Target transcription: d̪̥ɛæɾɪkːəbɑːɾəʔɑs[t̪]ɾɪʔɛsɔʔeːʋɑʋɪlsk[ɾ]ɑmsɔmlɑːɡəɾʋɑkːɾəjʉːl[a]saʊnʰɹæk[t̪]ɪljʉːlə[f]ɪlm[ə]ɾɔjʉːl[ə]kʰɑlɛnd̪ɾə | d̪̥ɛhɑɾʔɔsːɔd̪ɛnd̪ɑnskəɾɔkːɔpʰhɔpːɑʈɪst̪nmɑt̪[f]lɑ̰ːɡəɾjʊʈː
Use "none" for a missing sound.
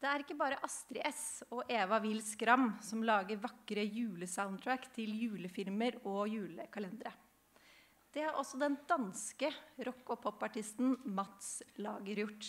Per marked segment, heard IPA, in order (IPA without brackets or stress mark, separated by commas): t̪, ɾ, ə, t̪ʰ, f, ə, ə, s